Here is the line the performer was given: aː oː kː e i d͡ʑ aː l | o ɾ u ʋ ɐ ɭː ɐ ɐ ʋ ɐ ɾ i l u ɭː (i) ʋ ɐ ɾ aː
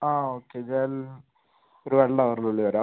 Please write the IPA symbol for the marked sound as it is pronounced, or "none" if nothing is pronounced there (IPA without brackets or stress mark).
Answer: i